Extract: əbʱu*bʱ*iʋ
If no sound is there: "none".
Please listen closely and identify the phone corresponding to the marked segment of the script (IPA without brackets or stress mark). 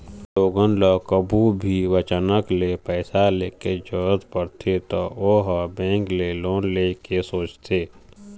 bʱ